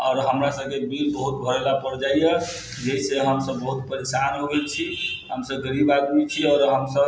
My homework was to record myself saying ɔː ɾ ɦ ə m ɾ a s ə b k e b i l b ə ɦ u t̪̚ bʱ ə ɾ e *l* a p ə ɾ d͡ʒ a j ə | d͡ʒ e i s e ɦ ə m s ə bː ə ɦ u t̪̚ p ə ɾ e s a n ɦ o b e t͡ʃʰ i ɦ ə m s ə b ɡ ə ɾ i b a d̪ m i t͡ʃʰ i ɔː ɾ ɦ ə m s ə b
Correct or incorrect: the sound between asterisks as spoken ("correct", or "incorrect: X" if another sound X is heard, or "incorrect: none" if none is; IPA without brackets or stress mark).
correct